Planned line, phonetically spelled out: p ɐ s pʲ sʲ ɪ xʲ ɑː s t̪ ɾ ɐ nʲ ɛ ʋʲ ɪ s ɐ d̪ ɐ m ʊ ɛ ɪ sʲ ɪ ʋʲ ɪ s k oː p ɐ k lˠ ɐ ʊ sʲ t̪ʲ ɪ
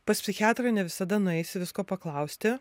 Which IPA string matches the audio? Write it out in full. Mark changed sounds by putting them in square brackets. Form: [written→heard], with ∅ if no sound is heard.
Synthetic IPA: p ɐ s pʲ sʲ ɪ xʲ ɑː [s→∅] t̪ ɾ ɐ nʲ ɛ ʋʲ ɪ s ɐ d̪ ɐ [m→n] ʊ ɛ ɪ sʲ ɪ ʋʲ ɪ s k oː p ɐ k lˠ ɐ ʊ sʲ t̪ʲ ɪ